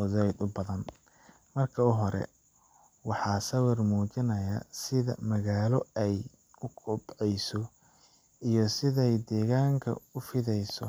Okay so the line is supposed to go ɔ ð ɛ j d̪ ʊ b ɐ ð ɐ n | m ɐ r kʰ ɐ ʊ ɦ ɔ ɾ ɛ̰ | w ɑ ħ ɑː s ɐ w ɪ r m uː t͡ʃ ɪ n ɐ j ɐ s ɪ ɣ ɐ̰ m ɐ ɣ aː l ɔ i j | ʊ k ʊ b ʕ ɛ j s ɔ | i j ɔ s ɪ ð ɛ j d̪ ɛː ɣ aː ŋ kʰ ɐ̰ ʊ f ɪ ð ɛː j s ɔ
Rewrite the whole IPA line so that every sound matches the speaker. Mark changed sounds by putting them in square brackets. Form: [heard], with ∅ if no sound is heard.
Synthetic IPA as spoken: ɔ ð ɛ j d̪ ʊ b ɐ ð ɐ n | m ɐ r kʰ ɐ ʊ ɦ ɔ ɾ ɛ̰ | w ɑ ħ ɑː s ɐ w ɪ r m uː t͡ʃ ɪ n ɐ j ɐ s ɪ [ð] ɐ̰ m ɐ ɣ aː l ɔ [ɛ] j | ʊ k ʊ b ʕ ɛ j s ɔ | i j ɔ s ɪ ð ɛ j d̪ ɛː ɣ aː ŋ kʰ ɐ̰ ʊ f ɪ ð [ɛ] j s ɔ